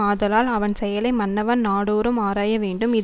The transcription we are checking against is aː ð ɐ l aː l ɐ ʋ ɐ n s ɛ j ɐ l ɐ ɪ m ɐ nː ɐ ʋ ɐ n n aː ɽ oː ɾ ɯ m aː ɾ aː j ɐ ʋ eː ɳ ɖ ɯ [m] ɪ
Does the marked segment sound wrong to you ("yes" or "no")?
no